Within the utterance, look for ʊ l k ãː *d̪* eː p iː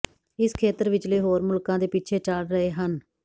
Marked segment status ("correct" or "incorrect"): correct